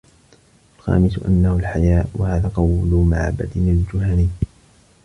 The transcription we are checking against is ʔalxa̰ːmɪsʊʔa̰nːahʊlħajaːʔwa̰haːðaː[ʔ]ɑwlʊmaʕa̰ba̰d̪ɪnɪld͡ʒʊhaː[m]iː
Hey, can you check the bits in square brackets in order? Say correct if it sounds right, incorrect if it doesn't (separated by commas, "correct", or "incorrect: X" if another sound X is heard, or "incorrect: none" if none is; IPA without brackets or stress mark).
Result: incorrect: q, incorrect: n